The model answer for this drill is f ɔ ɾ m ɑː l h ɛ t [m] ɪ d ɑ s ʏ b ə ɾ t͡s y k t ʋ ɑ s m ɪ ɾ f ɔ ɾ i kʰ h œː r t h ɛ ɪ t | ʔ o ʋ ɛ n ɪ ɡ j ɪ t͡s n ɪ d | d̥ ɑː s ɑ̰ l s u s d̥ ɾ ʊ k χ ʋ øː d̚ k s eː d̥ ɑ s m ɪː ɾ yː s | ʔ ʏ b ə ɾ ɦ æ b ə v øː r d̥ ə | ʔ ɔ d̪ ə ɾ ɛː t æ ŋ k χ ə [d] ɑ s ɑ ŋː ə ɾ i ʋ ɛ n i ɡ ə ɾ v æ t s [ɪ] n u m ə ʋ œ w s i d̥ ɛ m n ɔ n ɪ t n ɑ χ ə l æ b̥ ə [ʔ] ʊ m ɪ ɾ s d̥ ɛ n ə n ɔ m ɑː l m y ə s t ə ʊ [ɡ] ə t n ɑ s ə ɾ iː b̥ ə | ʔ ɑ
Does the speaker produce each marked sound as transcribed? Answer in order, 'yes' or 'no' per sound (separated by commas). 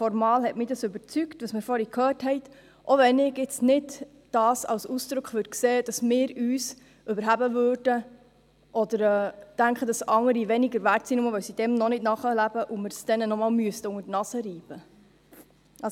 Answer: yes, yes, no, yes, no